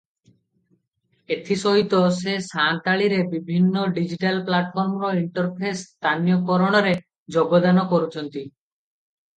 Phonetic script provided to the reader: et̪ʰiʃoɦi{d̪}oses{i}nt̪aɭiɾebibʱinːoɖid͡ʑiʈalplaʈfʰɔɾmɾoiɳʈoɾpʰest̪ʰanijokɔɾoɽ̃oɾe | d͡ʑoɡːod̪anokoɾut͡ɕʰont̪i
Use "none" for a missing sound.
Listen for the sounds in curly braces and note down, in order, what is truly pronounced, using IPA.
t̪, a

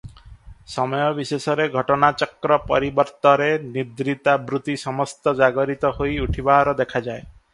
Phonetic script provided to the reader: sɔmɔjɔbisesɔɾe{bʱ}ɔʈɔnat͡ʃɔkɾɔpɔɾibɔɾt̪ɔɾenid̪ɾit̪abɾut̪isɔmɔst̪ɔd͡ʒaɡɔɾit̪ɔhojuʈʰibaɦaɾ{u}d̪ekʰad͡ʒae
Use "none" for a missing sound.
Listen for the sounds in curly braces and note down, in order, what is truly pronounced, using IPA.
ɡʱ, ɔ

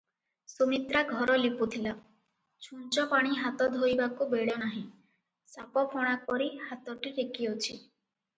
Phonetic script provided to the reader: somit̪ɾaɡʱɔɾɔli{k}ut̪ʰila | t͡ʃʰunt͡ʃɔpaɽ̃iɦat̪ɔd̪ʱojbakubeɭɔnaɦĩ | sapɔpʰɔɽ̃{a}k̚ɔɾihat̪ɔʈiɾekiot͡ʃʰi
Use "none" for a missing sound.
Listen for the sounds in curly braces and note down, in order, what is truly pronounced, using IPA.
p, a

